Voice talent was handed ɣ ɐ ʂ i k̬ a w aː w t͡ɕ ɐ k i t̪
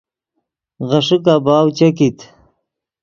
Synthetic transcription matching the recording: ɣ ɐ ʂ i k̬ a b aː w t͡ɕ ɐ k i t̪